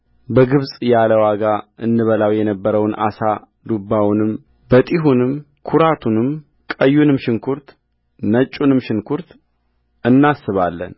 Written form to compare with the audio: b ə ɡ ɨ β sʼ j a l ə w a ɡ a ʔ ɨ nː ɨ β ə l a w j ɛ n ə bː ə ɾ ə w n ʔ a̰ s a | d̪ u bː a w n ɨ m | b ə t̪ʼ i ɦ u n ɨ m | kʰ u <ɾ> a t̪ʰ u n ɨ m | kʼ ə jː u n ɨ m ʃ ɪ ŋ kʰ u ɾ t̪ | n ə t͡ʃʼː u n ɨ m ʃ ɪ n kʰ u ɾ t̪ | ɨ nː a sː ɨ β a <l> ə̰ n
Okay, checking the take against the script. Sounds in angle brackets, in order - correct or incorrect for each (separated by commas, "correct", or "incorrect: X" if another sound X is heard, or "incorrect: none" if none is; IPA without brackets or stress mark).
correct, incorrect: lː